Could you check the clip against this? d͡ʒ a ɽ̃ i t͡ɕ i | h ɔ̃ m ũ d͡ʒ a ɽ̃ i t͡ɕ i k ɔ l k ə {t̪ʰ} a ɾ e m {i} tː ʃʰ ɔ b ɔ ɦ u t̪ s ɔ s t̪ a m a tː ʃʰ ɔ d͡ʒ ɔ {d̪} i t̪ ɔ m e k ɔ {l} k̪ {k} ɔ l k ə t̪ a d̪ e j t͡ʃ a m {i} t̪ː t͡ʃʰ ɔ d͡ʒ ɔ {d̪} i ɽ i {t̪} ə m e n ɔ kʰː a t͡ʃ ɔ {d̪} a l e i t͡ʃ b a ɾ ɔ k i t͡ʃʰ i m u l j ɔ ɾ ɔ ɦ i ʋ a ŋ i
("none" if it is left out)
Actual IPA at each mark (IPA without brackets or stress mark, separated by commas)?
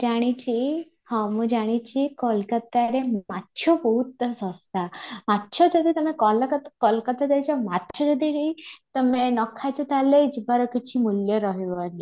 t̪, a, d̪, l, k, a, d̪, t̪, t̪